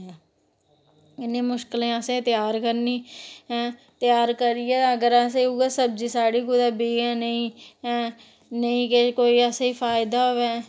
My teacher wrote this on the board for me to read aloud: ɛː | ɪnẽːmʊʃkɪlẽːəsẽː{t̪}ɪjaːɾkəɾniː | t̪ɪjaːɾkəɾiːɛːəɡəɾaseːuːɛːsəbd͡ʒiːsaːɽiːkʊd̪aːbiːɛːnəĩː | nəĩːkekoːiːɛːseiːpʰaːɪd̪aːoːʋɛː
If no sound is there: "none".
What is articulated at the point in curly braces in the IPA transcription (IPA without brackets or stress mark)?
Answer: t̪